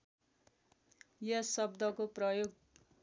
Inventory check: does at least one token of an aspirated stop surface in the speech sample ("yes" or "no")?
no